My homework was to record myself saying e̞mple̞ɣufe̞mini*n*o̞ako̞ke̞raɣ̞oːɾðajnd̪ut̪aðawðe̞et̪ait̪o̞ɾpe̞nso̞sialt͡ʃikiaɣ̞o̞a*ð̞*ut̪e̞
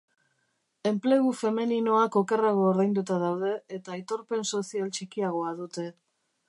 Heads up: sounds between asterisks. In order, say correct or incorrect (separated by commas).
correct, correct